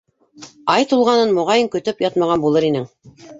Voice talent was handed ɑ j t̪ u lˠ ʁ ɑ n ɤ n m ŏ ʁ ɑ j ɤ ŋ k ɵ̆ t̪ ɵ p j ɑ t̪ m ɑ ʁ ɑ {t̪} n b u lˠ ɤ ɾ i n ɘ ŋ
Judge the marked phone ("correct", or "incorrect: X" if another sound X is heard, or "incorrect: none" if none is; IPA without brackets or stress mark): incorrect: none